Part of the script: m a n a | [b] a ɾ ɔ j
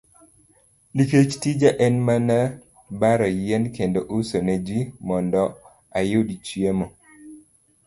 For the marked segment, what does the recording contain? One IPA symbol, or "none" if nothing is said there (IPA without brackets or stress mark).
b